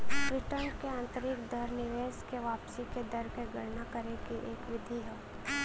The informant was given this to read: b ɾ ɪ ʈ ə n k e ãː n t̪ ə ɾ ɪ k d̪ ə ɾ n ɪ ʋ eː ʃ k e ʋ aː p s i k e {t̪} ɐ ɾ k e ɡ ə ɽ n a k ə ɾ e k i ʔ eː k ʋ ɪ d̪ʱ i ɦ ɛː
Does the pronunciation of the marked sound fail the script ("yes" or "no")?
yes